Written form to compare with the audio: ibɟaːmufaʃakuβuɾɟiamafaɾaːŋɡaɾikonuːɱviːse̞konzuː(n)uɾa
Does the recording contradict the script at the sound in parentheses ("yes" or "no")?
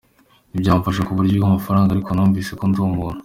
yes